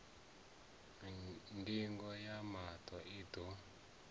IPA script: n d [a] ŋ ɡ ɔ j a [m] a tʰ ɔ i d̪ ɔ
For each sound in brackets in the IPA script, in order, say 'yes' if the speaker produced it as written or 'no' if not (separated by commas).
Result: no, yes